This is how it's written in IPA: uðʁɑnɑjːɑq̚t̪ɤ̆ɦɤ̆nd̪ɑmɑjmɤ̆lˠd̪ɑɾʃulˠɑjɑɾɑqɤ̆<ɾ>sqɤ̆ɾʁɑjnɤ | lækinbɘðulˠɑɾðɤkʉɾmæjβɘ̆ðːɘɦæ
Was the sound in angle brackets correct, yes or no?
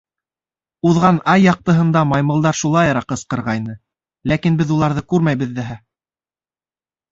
no